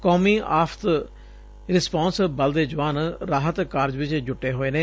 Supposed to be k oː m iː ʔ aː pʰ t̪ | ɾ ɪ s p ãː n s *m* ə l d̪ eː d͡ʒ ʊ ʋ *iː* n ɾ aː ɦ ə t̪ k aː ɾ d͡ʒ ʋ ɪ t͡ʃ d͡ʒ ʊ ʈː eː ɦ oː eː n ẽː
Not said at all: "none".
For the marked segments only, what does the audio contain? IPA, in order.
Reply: b, aː

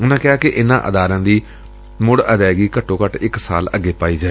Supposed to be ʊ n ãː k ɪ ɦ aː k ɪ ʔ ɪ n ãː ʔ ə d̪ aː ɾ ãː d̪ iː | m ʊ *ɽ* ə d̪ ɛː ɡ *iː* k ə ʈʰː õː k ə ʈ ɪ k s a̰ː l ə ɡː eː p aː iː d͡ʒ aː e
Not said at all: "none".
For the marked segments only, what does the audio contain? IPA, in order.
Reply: ɽ, iː

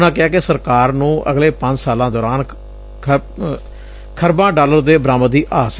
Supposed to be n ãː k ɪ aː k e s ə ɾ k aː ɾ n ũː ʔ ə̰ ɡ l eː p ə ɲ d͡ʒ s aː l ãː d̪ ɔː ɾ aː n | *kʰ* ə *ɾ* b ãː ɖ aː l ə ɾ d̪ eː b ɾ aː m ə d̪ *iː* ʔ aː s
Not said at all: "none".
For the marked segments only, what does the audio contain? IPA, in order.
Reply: kʰ, ɾ, iː

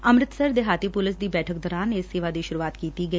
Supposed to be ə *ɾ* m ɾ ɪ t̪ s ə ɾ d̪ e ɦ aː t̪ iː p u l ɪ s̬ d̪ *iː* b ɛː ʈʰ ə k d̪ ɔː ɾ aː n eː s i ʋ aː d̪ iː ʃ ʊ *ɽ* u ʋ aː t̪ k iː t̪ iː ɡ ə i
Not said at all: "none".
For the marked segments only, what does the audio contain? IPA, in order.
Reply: none, iː, ɾ

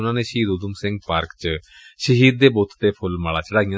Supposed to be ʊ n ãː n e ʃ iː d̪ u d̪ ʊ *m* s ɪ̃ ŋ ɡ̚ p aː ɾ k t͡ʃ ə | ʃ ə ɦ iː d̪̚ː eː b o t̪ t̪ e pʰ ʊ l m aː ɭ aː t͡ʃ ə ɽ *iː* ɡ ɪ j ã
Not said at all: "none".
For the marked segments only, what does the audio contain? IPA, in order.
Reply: m, aː

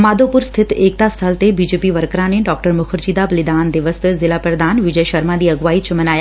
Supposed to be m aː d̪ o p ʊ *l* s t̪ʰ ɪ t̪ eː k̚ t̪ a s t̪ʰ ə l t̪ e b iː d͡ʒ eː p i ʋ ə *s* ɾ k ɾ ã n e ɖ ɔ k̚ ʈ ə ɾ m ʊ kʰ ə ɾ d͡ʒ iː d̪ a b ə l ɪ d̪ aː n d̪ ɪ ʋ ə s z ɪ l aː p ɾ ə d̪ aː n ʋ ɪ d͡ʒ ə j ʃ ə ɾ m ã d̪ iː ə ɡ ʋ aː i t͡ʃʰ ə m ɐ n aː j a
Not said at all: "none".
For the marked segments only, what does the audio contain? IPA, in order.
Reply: ɾ, none

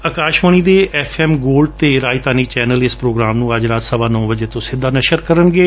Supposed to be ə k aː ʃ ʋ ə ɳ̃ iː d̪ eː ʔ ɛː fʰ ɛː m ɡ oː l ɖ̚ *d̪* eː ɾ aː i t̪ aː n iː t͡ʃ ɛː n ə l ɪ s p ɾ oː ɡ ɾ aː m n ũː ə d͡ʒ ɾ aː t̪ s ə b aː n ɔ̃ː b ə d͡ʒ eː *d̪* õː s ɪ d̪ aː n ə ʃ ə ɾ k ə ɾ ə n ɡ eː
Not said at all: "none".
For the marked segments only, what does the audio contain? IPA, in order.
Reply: t̪, t̪

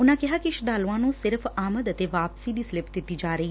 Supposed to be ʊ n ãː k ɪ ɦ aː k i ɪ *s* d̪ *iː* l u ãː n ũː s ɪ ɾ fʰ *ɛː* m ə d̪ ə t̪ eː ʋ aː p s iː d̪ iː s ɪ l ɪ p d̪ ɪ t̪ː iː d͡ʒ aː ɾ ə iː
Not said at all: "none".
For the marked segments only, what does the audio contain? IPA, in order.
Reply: ʃ, aː, aː

